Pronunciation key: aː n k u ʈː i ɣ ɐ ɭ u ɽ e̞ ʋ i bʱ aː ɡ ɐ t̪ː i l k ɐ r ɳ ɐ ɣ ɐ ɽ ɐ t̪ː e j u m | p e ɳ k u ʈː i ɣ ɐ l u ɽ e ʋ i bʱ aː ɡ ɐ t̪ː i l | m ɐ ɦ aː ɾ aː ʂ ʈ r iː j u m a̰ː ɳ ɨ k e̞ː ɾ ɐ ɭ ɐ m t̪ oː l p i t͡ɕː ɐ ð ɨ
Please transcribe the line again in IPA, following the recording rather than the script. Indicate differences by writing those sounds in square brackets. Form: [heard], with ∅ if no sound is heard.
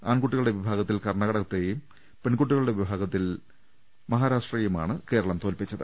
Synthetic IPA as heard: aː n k u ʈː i ɣ ɐ ɭ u ɽ e̞ ʋ i bʱ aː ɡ ɐ t̪ː i l k ɐ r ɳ ɐ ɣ ɐ ɽ ɐ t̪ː e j u m | p e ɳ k u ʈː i ɣ ɐ [ɭ] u ɽ e ʋ i bʱ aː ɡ ɐ t̪ː i l | m ɐ ɦ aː ɾ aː ʂ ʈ r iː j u m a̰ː ɳ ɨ k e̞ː ɾ ɐ ɭ ɐ m t̪ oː l p i t͡ɕː ɐ ð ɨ